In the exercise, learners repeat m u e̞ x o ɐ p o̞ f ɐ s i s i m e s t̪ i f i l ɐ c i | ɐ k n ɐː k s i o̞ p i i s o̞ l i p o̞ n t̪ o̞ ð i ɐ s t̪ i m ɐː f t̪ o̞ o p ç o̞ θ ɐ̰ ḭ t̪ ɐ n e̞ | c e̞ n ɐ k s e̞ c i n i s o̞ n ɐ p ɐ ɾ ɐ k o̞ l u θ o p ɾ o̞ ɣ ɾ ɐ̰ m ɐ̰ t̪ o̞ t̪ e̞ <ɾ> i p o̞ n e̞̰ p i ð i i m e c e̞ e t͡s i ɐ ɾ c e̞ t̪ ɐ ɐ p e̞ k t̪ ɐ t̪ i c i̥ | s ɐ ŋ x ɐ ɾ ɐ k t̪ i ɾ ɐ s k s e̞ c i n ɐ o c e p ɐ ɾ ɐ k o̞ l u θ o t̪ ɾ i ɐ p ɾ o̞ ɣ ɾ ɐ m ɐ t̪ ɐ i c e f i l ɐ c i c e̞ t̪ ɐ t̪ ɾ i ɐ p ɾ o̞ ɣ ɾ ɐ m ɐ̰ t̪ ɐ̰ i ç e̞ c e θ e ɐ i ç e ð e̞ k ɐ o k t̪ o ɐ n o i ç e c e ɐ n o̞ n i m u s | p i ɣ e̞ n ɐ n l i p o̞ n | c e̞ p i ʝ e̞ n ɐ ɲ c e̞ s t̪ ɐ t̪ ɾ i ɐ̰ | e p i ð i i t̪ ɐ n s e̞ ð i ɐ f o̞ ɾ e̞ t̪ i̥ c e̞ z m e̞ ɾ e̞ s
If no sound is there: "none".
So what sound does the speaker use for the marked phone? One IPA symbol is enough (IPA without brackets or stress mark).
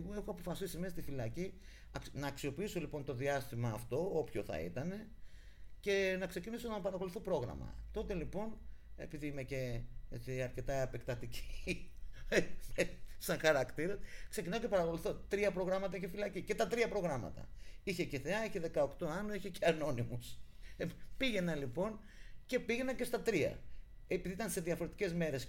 l